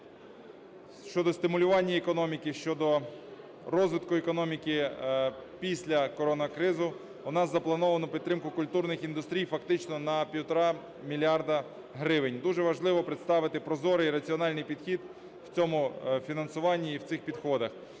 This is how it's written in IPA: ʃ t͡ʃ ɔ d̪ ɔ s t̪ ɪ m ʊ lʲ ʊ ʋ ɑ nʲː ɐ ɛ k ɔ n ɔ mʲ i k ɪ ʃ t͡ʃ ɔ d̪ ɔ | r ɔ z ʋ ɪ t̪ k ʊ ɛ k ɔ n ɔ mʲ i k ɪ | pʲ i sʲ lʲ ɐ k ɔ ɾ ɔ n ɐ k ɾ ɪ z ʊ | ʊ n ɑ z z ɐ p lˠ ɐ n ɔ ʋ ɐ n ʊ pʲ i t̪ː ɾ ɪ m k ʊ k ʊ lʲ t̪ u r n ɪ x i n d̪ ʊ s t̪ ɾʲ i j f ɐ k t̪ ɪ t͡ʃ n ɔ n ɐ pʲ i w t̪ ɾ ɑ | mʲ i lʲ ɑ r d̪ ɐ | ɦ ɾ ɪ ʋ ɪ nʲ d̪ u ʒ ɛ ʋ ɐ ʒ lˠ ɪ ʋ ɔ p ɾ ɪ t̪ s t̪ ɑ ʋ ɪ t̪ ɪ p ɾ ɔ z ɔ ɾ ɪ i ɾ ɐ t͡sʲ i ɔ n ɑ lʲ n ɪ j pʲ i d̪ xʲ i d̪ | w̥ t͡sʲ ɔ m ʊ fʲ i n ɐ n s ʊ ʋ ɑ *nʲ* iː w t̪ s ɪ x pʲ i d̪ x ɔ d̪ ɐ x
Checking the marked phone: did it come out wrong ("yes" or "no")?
yes